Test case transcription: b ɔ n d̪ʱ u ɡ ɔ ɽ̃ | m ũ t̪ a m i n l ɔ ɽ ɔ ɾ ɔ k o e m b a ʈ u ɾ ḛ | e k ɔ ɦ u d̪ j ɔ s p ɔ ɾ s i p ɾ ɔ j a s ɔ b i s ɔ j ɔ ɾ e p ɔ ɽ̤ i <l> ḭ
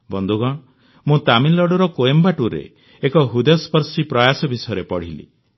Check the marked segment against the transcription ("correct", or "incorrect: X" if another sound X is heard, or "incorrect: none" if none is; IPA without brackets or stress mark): correct